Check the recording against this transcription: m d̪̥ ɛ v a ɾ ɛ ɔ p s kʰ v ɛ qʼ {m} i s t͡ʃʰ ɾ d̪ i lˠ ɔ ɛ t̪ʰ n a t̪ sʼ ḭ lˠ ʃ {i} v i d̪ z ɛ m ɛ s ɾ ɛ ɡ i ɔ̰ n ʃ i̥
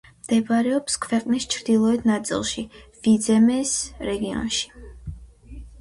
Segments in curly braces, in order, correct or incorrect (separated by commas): incorrect, correct